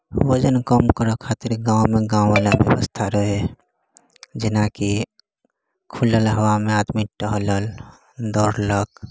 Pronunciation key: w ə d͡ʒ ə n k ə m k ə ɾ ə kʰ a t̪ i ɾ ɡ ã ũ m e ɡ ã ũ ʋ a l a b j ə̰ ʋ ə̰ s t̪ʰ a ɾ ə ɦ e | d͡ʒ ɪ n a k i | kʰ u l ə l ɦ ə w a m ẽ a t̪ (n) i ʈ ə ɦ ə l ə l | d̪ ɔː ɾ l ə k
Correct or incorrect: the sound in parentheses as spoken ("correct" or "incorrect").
incorrect